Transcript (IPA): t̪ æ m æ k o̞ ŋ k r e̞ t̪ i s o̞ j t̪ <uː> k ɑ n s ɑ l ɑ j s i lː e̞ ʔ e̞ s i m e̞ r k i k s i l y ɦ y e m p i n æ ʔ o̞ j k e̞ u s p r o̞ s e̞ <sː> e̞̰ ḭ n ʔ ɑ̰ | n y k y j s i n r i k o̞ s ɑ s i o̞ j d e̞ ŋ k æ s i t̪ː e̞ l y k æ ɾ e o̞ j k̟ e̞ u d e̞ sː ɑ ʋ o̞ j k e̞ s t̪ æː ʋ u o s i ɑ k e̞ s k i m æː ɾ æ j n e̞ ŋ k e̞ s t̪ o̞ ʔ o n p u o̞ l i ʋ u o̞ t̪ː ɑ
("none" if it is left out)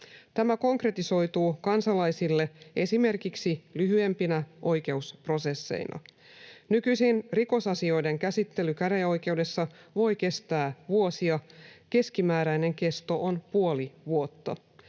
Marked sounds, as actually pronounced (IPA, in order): uː, sː

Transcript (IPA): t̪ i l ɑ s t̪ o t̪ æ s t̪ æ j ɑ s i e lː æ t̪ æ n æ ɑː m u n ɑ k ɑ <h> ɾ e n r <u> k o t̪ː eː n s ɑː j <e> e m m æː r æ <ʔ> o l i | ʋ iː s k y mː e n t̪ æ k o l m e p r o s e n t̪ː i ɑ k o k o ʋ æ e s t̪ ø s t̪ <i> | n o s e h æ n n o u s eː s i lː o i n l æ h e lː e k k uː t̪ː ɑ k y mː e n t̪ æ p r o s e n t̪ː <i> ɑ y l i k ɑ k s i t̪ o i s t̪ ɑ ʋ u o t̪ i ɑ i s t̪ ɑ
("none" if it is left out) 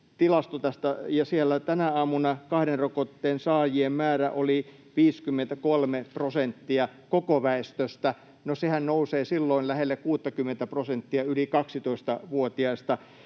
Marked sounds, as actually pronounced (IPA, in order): h, o, i, ʔ, æ, i

